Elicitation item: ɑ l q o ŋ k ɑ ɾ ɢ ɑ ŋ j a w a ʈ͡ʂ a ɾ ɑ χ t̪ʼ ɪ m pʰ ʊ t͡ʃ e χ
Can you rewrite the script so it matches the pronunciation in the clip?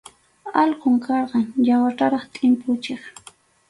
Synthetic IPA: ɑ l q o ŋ k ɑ ɾ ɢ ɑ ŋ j a w a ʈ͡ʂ a ɾ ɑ χ t̪ʼ ɪ m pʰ ʊ t͡ʃ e χ